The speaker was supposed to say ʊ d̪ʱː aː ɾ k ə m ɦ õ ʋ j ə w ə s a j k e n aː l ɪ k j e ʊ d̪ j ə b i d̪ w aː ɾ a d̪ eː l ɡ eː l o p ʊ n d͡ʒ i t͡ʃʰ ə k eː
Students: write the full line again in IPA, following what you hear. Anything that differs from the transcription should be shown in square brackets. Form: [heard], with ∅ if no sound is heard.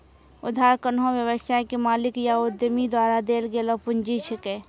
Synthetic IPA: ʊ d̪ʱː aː ɾ k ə [n] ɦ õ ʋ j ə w ə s a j k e [m] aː l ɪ k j [a] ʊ d̪ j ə [m] i d̪ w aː ɾ a d̪ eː l ɡ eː l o p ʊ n d͡ʒ i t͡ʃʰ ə k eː